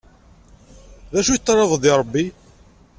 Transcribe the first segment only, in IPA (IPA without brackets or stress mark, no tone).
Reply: ð